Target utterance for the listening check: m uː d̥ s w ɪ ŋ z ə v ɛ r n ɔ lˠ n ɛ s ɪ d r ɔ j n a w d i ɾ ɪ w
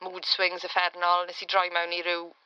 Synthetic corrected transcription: m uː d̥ s w ɪ ŋ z ə f ɛ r n ɔ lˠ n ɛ s i d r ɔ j m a w n i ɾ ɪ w